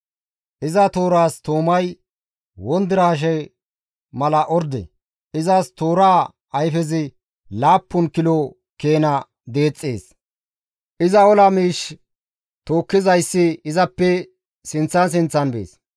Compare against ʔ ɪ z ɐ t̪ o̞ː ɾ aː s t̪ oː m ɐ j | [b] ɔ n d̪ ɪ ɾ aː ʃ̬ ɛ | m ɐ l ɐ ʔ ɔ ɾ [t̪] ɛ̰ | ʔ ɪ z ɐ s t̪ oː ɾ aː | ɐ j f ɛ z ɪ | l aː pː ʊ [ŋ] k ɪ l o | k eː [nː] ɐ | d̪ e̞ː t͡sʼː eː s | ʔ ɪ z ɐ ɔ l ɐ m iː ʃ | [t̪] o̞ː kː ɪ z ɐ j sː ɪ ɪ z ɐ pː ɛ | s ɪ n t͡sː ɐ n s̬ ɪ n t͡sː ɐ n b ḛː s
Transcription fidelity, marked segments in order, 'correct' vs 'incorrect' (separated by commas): incorrect, incorrect, incorrect, incorrect, correct